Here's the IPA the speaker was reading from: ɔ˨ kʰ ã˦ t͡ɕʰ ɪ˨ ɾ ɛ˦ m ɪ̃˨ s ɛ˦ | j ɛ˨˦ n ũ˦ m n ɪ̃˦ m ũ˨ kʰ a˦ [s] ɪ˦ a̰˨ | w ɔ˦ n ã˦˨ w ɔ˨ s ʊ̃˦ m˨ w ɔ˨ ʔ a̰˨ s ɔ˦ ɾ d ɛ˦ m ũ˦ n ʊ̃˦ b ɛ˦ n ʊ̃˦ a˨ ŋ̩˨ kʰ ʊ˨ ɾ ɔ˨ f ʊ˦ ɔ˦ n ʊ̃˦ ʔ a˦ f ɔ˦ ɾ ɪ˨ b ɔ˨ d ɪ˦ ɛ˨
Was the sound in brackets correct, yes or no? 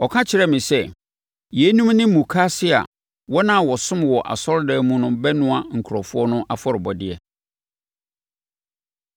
yes